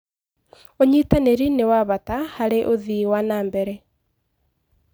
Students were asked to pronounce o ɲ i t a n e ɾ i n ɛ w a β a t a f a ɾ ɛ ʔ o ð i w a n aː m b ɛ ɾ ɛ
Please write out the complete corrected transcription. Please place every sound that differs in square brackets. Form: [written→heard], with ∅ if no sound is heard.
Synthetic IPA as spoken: o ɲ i t a n e ɾ i n [ɛ→e] w a β a t a [f→h] a ɾ [ɛ→e] ʔ o ð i w a n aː m b ɛ ɾ ɛ